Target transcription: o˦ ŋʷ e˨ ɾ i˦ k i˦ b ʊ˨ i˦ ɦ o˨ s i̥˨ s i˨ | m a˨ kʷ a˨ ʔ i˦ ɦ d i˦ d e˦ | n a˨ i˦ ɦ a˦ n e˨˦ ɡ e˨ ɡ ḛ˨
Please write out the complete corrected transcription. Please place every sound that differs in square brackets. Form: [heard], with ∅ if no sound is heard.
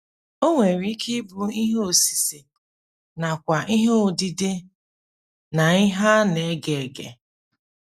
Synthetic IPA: o˦ ŋʷ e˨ ɾ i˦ k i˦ b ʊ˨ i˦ ɦ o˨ s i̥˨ s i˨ | [n] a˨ kʷ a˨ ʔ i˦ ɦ d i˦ d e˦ | n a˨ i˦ ɦ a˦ n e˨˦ ɡ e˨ ɡ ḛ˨